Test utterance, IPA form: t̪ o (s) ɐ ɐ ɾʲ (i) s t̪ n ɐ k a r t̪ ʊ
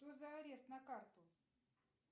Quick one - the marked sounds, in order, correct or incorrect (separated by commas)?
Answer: incorrect, incorrect